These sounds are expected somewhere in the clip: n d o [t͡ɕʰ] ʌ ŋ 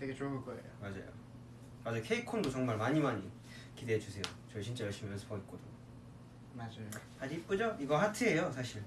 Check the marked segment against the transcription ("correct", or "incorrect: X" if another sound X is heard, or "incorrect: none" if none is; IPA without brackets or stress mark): incorrect: t͡ɕ